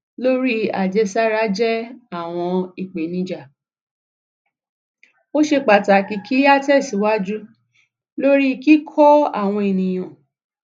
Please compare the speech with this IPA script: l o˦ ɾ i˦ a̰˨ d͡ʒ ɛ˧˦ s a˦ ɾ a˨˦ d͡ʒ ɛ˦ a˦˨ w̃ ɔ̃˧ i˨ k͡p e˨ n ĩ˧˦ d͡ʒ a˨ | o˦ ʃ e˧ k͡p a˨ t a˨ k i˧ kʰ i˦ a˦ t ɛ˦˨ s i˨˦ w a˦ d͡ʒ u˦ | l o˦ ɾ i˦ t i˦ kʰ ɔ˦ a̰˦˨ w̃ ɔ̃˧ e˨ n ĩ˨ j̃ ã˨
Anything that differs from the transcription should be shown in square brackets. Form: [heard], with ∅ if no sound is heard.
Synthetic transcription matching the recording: l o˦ ɾ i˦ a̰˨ d͡ʒ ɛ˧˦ s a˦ ɾ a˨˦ d͡ʒ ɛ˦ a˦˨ w̃ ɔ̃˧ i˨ k͡p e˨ n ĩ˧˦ d͡ʒ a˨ | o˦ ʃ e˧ k͡p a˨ t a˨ k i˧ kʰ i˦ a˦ t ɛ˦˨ s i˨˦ w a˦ d͡ʒ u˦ | l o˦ ɾ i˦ [k] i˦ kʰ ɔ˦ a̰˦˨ w̃ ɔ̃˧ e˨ n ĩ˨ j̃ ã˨